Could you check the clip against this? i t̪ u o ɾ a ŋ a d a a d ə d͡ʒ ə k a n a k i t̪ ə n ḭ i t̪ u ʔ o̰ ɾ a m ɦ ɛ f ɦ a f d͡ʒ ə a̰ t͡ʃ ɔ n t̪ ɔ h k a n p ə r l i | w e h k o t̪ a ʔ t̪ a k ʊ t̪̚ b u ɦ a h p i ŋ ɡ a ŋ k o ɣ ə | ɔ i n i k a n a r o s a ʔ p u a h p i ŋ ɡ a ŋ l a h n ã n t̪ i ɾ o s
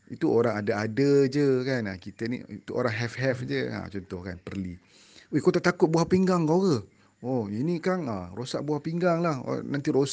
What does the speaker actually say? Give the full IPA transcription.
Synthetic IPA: i t̪ u o ɾ a ŋ a d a a d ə d͡ʒ ə k a n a k i t̪ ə n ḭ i t̪ u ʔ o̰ ɾ a ŋ ɦ ɛ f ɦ ɛ f d͡ʒ ə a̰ t͡ʃ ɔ n t̪ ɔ h k a n p ə r l i | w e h k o t̪ a ʔ t̪ a k ʊ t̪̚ b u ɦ a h p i ŋ ɡ a ŋ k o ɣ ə | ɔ i n i k a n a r o s a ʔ b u a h p i ŋ ɡ a ŋ l a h n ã n t̪ i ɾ o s